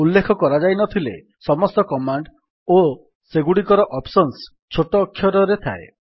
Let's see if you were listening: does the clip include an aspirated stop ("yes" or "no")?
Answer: yes